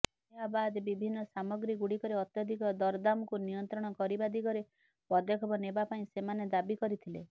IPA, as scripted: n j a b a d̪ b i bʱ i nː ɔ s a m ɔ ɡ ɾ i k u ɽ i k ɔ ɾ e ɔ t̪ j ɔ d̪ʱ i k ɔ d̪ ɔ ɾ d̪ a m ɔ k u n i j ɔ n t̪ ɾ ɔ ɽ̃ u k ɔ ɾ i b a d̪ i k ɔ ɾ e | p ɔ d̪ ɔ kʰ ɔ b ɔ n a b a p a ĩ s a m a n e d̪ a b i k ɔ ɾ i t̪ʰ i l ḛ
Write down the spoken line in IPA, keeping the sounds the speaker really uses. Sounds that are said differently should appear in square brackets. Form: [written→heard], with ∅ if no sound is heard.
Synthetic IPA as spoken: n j a b a d̪ b i bʱ i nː ɔ s a m ɔ ɡ ɾ i [k→ɡ] u ɽ i k ɔ ɾ e ɔ t̪ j ɔ d̪ʱ i k ɔ d̪ ɔ ɾ d̪ a m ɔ k u n i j ɔ n t̪ ɾ ɔ ɽ̃ [u→ɔ] k ɔ ɾ i b a d̪ i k ɔ ɾ e | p ɔ d̪ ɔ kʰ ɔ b ɔ n [a→e] b a p a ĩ s [a→e] m a n e d̪ a b i k ɔ ɾ i t̪ʰ i l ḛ